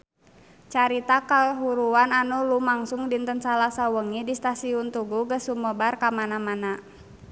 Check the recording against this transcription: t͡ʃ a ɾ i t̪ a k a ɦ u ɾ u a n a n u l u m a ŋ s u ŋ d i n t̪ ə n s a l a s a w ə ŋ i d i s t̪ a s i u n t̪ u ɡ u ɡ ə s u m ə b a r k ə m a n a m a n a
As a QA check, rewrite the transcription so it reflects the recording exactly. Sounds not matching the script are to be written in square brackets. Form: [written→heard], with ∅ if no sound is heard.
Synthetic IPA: t͡ʃ a ɾ i t̪ a k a ɦ u ɾ u a n a n u l u m a ŋ s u ŋ d i n t̪ ə n s a l a s a w ə ŋ i d i s t̪ a s i u n t̪ u ɡ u ɡ ə s u m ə b a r k [ə→a] m a n a m a n a